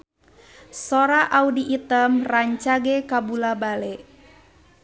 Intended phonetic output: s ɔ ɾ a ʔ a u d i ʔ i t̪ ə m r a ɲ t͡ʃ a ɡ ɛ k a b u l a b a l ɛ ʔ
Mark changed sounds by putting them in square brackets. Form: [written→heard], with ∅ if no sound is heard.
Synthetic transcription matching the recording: s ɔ ɾ a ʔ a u d i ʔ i t̪ ə m r a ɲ t͡ʃ a ɡ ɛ k a b u l a b a l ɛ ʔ